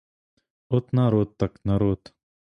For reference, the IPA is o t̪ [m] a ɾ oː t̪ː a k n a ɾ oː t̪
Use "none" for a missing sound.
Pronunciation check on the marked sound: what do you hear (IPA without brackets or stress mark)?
n